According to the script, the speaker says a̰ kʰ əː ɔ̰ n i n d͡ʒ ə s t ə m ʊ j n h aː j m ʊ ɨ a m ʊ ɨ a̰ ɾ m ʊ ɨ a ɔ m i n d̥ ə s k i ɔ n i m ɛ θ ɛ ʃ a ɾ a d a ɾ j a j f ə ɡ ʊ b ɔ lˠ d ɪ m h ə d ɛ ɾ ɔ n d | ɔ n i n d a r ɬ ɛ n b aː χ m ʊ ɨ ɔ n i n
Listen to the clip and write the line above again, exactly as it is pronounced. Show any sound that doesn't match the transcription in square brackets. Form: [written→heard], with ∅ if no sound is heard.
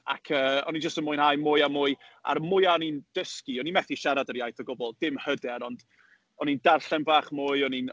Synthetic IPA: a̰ kʰ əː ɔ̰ n i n d͡ʒ ə s t ə m ʊ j n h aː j m ʊ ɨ a m ʊ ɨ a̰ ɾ m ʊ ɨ a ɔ [m→n] i n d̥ ə s k i ɔ n i m ɛ θ [ɛ→i] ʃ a ɾ a d [a→ə] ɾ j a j [f→θ] ə ɡ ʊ b ɔ lˠ d ɪ m h ə d ɛ ɾ ɔ n d | ɔ n i n d a r ɬ ɛ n b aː χ m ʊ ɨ ɔ n i n